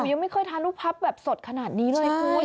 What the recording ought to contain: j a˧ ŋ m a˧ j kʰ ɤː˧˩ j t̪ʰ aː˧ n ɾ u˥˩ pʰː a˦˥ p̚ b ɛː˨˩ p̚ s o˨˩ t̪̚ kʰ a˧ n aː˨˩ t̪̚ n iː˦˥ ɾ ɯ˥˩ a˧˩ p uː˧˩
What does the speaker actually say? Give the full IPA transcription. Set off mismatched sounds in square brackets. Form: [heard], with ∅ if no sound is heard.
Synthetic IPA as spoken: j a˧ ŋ m [a˥˩] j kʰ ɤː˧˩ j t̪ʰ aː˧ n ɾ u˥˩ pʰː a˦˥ p̚ b ɛː˨˩ p̚ s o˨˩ t̪̚ kʰ a˧ n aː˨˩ t̪̚ n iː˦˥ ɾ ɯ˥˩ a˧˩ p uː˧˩